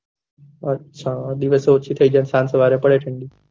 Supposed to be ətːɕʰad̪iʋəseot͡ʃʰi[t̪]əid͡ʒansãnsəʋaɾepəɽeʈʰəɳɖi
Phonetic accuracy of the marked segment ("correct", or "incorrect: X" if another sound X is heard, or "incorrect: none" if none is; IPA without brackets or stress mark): incorrect: t̪ʰ